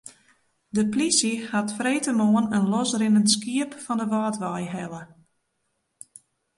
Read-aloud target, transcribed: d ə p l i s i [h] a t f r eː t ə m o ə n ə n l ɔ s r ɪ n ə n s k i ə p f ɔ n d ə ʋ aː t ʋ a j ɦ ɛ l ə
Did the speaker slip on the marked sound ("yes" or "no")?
no